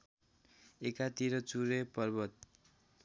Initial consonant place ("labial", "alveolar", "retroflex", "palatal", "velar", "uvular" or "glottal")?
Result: velar